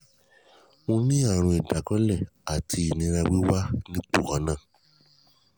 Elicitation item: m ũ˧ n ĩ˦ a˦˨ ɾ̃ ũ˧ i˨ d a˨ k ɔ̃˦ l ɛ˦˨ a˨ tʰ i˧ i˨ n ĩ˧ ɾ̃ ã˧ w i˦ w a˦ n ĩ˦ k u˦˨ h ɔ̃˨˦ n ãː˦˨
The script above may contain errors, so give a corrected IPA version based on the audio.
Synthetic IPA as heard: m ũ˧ n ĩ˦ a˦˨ ɾ̃ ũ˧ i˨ d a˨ k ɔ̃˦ l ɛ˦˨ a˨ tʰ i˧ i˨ n ĩ˧ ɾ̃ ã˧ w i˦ w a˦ n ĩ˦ k͡p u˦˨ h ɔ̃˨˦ n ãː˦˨